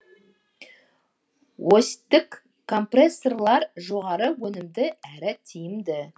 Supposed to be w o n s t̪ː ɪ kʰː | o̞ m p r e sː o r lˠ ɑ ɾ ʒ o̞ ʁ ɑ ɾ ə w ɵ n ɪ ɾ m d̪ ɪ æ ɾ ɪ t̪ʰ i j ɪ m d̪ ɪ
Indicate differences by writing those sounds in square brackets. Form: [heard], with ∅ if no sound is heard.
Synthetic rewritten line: w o [∅] s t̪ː ɪ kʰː | o̞ m p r e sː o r lˠ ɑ ɾ ʒ o̞ ʁ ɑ ɾ ə w ɵ n ɪ [∅] m d̪ ɪ æ ɾ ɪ t̪ʰ i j ɪ m d̪ ɪ